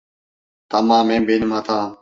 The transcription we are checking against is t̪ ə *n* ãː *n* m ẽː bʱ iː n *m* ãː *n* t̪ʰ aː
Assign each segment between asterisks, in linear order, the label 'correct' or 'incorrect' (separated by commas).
incorrect, incorrect, correct, incorrect